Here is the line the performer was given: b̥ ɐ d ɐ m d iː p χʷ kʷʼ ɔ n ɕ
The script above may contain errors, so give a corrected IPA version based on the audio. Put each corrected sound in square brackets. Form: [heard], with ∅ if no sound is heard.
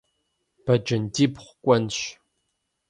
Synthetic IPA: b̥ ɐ [d͡ʒ] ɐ [n] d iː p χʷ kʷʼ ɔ n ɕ